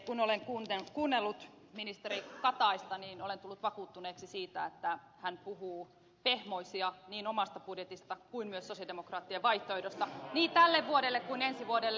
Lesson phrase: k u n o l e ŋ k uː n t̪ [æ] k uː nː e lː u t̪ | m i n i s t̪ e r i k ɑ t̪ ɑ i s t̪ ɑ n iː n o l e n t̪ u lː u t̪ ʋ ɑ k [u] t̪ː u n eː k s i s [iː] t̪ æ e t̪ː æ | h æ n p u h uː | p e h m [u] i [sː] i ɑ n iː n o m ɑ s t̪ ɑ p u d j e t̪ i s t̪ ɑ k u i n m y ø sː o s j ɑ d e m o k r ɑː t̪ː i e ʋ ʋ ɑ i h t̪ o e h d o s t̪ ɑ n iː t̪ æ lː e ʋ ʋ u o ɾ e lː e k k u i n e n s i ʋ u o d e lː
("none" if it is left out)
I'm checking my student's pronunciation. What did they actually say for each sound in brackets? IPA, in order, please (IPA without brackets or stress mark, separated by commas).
e, uː, iː, o, s